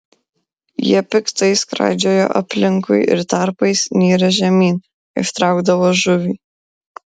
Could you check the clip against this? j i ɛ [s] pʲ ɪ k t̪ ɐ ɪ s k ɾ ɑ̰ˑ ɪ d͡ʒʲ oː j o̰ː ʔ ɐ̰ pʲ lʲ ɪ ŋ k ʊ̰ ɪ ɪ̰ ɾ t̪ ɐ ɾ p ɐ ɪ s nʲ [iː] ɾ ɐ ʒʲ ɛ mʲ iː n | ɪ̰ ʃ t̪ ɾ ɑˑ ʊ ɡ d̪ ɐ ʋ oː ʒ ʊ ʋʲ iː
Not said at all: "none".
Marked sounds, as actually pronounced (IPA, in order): none, iː

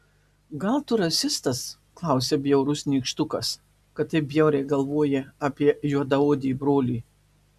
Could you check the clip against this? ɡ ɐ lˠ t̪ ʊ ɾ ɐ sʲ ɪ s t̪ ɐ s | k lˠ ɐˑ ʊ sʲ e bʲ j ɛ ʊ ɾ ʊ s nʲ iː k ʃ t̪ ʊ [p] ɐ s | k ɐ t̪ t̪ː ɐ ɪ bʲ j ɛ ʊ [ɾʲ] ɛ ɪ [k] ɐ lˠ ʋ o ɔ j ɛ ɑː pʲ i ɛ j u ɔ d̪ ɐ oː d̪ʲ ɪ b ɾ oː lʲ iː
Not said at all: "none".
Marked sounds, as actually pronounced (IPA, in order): k, ɾʲ, ɡ

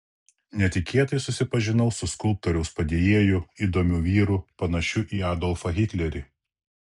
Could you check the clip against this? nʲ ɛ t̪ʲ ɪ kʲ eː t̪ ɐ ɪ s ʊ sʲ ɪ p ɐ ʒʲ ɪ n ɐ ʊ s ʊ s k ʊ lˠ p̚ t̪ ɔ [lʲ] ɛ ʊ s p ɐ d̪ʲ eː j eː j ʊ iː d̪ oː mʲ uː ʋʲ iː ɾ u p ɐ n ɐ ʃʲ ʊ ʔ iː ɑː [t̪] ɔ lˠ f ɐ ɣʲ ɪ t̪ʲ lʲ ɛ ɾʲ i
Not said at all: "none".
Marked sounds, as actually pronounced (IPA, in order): ɾʲ, d̪

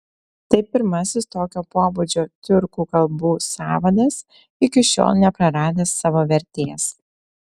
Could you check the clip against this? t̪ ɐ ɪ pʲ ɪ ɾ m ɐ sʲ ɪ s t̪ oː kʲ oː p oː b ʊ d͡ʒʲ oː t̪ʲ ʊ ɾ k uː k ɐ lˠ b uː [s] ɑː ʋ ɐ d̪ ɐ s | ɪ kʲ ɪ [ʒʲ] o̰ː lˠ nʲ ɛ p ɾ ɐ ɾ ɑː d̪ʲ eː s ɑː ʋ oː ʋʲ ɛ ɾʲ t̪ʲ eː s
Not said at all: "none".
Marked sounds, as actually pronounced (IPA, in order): s, ʃʲ

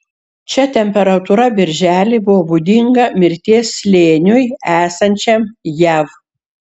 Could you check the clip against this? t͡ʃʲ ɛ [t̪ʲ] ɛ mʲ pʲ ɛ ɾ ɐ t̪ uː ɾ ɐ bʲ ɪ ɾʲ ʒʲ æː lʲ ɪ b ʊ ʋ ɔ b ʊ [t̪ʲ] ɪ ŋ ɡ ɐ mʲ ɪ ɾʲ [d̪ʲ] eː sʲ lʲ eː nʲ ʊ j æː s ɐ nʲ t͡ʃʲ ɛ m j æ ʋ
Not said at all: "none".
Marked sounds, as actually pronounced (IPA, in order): t̪ʲ, d̪ʲ, t̪ʲ

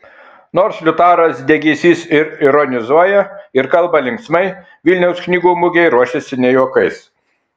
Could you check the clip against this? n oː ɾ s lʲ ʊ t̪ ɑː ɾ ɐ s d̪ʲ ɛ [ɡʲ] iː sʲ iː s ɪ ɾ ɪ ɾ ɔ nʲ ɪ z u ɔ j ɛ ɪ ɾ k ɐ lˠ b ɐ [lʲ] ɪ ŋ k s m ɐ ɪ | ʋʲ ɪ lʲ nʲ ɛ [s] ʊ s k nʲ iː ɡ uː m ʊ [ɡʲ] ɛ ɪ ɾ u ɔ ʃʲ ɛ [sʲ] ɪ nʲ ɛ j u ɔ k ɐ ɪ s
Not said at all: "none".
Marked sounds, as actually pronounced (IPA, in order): ɡʲ, lʲ, none, ɡʲ, sʲ

